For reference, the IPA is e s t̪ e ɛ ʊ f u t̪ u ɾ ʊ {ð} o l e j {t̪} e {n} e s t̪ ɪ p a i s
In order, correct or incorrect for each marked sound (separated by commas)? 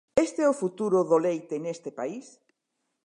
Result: correct, correct, correct